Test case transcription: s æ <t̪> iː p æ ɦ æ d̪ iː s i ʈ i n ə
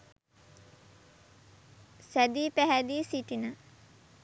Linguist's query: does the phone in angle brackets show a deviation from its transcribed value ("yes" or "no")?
yes